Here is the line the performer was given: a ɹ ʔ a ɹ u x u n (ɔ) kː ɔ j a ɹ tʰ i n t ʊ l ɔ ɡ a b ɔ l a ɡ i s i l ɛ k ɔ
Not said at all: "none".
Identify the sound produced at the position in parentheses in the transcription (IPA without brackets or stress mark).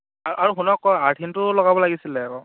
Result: ɔ